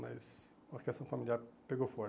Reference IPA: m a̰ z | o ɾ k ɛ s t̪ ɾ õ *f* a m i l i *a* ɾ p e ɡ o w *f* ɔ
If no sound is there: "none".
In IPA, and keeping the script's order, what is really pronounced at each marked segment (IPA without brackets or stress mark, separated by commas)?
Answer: f, a, f